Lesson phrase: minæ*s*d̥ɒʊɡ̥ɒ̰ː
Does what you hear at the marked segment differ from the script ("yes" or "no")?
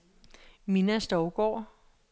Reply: no